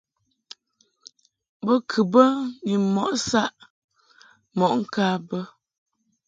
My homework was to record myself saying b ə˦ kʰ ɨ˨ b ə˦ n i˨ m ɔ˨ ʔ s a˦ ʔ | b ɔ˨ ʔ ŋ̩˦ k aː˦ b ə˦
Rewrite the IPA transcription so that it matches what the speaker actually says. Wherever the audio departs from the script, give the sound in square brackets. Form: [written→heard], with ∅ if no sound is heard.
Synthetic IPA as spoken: b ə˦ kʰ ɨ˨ b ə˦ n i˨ m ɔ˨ ʔ s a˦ ʔ | [b→m] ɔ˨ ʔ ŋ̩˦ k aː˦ b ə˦